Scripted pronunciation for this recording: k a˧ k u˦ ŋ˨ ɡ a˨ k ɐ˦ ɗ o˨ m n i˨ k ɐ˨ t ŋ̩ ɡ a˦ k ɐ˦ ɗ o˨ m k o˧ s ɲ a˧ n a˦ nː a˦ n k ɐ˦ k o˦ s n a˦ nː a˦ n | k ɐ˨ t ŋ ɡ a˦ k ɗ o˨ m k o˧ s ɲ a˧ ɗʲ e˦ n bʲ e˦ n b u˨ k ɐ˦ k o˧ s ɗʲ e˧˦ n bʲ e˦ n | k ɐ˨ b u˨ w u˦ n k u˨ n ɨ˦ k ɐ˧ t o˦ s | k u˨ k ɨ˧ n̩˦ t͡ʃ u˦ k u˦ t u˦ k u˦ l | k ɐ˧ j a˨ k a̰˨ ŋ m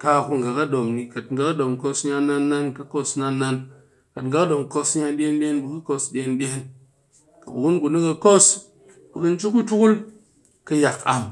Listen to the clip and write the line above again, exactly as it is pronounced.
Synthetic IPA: k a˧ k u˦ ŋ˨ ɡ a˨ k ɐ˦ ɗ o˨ m n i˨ k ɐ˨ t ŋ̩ ɡ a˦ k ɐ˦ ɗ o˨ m k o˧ s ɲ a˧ n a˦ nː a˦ n k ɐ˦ k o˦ s n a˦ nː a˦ n | k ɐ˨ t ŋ ɡ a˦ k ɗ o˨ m k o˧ s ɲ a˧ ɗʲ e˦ n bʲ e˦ n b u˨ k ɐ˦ k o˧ s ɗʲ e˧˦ n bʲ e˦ n | k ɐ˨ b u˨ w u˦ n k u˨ n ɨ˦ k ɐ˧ k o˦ s | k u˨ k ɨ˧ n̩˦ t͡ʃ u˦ k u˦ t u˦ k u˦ l | k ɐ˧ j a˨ k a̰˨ m